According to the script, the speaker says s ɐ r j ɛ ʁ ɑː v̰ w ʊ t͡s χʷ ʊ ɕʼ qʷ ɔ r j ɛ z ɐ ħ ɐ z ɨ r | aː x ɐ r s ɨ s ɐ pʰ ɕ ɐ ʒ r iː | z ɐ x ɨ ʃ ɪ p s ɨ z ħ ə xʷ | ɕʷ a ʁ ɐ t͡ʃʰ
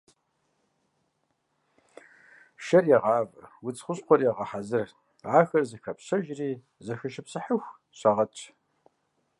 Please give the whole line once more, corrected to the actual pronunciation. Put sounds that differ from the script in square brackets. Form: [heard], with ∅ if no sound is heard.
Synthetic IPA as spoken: [ʃ] ɐ r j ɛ ʁ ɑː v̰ w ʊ t͡s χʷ ʊ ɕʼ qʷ ɔ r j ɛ [ʁ] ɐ ħ [a] z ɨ r | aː x ɐ r [z] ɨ [x] ɐ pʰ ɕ ɐ ʒ r iː | z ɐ x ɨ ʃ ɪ p s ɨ [∅] ħ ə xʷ | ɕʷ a ʁ ɐ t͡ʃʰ